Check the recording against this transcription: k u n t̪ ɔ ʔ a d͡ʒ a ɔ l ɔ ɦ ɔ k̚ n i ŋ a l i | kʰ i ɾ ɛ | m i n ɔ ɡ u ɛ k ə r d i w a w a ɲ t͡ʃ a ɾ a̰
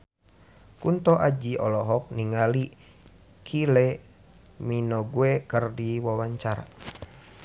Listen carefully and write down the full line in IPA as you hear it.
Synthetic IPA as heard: k u n t̪ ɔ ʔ a d͡ʒ i ɔ l ɔ ɦ ɔ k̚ n i ŋ a l i | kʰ i l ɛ | m i n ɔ ɡ u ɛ k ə r d i w a w a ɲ t͡ʃ a ɾ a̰